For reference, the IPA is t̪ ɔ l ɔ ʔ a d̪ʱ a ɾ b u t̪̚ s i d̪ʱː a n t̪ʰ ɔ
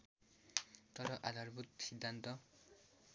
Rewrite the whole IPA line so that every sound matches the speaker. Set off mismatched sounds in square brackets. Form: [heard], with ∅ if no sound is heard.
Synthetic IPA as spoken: t̪ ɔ [ɾ] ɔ ʔ a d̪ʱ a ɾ b u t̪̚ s i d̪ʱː a n [t̪] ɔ